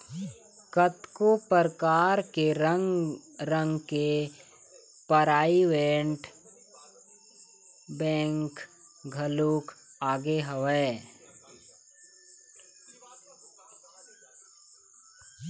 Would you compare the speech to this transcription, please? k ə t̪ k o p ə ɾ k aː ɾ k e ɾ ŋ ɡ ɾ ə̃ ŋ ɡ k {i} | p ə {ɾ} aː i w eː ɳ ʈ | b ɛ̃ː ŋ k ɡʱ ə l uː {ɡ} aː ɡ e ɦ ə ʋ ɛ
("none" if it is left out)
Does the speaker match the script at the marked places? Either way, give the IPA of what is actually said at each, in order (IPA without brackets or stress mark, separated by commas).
e, ɾ, k